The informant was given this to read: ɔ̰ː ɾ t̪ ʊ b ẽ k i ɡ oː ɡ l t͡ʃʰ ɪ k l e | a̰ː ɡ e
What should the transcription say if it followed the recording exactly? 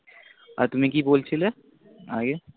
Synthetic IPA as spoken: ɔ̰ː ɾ t̪ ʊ m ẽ k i b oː l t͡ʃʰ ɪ l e | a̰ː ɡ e